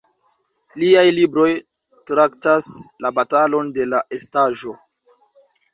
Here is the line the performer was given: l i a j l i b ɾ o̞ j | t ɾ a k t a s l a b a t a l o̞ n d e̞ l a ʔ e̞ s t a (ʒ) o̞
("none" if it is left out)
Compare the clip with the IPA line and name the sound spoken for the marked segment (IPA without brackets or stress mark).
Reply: ʒ